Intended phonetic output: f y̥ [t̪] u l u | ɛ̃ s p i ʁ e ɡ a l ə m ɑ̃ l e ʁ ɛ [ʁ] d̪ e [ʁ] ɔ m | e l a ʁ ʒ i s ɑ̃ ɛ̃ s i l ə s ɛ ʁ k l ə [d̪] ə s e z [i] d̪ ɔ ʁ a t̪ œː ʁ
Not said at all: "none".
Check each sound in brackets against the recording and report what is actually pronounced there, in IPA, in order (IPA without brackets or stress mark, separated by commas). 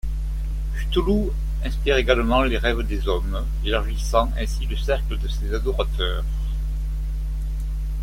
t̪, v, z, d̪, a